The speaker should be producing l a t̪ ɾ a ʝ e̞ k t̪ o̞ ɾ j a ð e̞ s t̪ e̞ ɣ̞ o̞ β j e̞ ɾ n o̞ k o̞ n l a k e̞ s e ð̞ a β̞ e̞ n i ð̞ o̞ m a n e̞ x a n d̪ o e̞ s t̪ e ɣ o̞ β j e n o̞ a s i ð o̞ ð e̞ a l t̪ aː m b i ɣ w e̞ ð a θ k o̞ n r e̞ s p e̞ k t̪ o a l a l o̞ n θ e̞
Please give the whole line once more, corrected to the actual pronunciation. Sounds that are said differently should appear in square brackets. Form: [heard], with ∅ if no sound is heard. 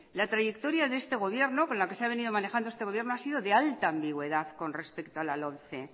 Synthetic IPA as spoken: l a t̪ ɾ a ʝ e̞ k t̪ o̞ ɾ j a ð e̞ s t̪ e̞ ɣ̞ o̞ β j e̞ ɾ n o̞ k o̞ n l a k e̞ s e [∅] a β̞ e̞ n i ð̞ o̞ m a n e̞ x a n d̪ o e̞ s t̪ e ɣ o̞ β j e n o̞ a s i ð o̞ ð e̞ a l t̪ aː m b i ɣ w e̞ ð a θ k o̞ n r e̞ s p e̞ k t̪ o a l a l o̞ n θ e̞